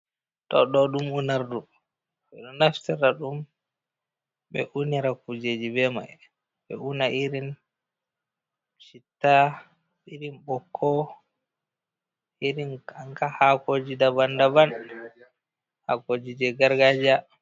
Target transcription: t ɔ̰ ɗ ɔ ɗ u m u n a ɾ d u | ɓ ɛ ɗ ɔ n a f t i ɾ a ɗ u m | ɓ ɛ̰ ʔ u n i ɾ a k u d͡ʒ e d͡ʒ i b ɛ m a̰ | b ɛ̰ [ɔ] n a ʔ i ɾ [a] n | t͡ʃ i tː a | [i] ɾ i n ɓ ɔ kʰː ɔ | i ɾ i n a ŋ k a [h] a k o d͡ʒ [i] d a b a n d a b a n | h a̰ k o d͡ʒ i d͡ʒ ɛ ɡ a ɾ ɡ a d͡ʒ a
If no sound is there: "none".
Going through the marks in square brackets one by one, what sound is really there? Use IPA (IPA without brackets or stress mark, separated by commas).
u, i, i, h, i